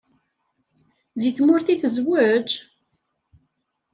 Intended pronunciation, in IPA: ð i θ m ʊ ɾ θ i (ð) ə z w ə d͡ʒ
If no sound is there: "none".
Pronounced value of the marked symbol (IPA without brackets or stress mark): θ